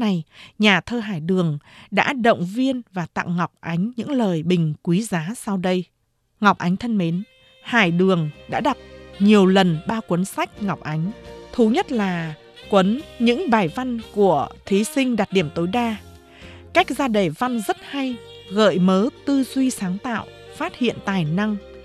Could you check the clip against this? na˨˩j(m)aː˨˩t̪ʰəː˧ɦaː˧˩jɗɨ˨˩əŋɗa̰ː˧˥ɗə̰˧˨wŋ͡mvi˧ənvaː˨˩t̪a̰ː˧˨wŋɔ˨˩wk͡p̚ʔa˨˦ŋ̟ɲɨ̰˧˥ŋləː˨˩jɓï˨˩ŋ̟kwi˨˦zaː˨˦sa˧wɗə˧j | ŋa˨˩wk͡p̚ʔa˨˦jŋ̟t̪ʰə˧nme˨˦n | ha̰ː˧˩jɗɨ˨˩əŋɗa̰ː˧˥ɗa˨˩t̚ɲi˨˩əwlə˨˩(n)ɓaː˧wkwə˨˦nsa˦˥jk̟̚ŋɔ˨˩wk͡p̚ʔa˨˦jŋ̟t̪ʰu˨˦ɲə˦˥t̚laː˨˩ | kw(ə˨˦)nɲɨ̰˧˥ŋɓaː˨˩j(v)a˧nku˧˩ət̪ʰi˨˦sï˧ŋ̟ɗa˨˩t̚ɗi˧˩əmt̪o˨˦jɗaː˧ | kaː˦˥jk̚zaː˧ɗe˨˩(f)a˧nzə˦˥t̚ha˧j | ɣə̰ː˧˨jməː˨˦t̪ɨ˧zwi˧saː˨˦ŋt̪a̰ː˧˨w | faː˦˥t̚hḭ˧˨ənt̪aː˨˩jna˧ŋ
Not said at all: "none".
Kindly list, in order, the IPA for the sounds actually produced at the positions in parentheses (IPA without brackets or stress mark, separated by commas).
ɲ, n, ə˨˦, v, v